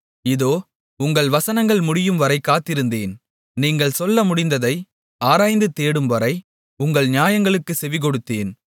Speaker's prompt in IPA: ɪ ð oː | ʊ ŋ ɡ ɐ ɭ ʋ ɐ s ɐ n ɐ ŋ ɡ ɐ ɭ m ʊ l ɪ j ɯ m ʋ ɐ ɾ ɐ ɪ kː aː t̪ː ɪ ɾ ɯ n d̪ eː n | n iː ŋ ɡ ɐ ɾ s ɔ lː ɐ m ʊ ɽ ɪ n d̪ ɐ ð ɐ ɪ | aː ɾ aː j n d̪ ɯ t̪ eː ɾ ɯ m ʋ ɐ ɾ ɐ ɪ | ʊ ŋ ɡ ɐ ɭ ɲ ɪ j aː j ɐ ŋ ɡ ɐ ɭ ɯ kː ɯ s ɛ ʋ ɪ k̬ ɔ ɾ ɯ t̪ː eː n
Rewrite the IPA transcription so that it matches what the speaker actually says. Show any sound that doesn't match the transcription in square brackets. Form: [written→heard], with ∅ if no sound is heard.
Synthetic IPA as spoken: ɪ ð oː | ʊ ŋ ɡ ɐ ɭ ʋ ɐ s ɐ n ɐ ŋ ɡ ɐ ɭ m ʊ [l→ɽ] ɪ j ɯ m ʋ ɐ ɾ ɐ ɪ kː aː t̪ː ɪ ɾ ɯ n d̪ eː n | n iː ŋ ɡ ɐ [ɾ→ɭ] s ɔ lː ɐ m ʊ ɽ ɪ n d̪ ɐ ð ɐ ɪ | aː ɾ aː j n d̪ ɯ t̪ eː [ɾ→ɽ] ɯ m ʋ ɐ ɾ ɐ ɪ | ʊ ŋ ɡ ɐ ɭ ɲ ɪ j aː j ɐ ŋ ɡ ɐ ɭ ɯ kː ɯ s ɛ ʋ ɪ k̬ ɔ [ɾ→ɽ] ɯ t̪ː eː n